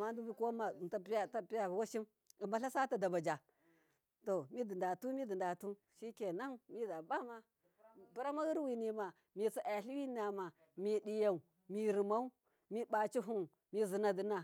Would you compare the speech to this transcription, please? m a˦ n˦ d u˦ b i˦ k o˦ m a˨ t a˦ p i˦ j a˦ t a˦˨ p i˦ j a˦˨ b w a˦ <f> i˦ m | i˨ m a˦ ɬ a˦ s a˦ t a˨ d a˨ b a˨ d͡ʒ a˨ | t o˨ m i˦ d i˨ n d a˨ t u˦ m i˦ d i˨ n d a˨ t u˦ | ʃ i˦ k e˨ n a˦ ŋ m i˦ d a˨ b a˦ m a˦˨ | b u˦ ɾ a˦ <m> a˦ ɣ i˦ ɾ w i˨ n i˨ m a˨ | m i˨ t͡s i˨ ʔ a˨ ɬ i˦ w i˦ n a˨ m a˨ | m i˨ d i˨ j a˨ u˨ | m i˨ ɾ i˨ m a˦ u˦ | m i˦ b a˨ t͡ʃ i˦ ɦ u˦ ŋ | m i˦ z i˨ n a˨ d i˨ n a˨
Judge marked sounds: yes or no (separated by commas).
no, yes